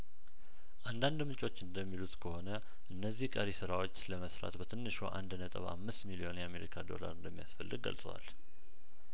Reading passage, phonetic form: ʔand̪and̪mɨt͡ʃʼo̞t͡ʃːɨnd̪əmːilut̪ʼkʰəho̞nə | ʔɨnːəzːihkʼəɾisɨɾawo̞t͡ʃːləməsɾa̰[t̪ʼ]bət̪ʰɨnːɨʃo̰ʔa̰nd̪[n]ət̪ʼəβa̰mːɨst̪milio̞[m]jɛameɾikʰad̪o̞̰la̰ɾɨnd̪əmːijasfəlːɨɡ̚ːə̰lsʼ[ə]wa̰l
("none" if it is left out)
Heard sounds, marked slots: t̪, n, n, ə

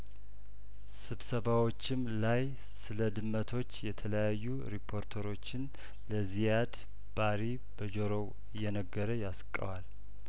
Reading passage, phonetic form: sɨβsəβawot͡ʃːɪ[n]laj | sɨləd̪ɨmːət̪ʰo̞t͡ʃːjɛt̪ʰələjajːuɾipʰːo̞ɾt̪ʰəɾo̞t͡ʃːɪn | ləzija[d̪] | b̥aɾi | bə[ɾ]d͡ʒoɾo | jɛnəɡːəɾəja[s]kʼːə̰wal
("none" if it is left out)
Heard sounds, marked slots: m, d̪, none, s

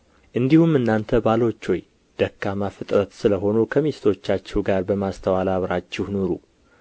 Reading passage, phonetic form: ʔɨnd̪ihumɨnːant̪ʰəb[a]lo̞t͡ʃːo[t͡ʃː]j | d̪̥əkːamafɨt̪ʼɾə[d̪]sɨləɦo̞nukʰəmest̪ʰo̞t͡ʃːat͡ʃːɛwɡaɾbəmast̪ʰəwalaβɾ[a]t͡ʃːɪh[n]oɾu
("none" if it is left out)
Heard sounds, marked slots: a, none, t̪, a, n

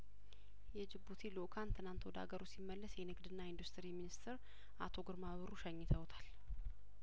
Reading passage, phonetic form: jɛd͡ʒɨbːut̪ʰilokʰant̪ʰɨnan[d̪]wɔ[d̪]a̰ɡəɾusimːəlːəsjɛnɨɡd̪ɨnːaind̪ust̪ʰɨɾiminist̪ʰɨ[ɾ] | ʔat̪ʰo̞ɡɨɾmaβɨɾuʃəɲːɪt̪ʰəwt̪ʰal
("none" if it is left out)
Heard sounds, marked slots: t̪, d̪, ɾ

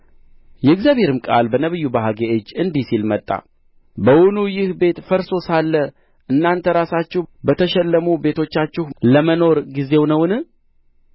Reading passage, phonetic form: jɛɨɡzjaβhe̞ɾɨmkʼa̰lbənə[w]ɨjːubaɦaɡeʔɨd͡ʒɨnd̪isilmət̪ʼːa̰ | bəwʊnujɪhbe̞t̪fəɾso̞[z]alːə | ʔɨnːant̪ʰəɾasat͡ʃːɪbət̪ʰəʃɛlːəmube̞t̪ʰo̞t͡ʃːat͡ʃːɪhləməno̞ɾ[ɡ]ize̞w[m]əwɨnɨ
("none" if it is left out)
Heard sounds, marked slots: β, s, ɡ, n

